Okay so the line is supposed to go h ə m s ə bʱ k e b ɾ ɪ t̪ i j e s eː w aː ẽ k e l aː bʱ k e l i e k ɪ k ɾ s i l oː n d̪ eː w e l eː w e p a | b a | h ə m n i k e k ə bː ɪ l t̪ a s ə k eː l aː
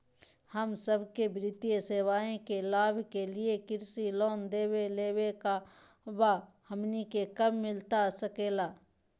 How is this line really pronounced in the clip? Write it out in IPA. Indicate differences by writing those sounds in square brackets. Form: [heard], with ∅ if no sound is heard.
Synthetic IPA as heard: h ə m s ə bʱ k e b ɾ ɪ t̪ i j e s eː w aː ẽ k e l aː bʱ k e l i e k ɪ [∅] ɾ s i l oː n d̪ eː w e l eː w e [k] a | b a | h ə m n i k e k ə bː ɪ l t̪ a s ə k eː l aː